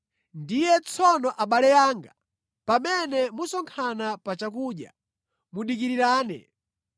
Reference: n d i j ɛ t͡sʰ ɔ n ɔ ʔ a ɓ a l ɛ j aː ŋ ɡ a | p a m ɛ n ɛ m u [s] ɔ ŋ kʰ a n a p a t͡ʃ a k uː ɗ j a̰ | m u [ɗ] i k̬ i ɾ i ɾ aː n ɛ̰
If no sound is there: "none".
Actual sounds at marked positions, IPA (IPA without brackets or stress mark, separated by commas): s, ɗ